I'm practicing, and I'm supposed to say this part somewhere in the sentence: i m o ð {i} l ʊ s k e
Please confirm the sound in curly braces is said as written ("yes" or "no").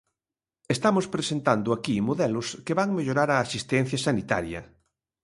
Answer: no